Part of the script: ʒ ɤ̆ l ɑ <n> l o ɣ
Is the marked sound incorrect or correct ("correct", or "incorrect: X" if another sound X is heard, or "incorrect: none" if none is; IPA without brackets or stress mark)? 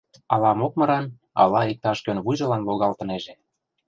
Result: correct